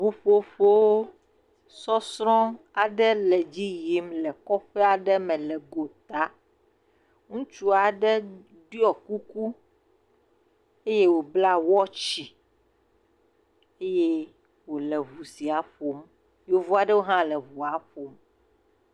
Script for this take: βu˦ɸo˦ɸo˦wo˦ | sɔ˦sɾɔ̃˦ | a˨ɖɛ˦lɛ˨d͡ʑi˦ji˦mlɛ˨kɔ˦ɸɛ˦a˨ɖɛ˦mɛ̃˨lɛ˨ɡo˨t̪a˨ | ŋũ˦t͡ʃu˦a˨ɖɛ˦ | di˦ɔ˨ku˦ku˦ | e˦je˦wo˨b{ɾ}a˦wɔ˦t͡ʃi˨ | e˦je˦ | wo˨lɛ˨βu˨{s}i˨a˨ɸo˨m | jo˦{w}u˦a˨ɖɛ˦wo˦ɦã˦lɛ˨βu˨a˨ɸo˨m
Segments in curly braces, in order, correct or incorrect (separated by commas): incorrect, correct, incorrect